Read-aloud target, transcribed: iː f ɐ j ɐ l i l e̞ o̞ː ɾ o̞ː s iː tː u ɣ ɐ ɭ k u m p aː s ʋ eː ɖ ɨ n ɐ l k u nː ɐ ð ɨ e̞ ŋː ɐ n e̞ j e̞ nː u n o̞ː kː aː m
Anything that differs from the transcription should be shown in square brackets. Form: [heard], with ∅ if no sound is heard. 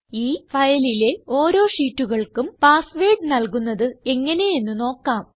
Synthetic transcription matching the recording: iː f ɐ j ɐ l i l e̞ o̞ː ɾ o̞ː [ʂ] iː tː u ɣ ɐ ɭ k u m p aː s ʋ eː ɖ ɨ n ɐ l k u nː ɐ ð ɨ e̞ ŋː ɐ n e̞ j e̞ nː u n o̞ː kː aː m